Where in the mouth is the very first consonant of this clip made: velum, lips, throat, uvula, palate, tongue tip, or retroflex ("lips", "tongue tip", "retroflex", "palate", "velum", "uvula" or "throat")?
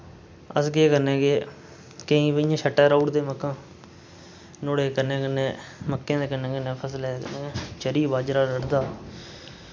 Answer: tongue tip